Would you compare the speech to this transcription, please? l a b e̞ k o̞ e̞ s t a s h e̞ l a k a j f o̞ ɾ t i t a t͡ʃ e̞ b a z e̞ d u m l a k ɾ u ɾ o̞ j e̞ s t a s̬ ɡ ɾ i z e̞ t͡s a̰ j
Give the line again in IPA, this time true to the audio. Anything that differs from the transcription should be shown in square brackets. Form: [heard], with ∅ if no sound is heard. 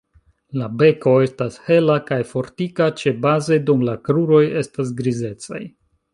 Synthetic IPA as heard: l a b e̞ k o̞ e̞ s t a s h e̞ l a k a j f o̞ ɾ t i [k] a t͡ʃ e̞ b a z e̞ d u m l a k ɾ u ɾ o̞ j e̞ s t a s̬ ɡ ɾ i z e̞ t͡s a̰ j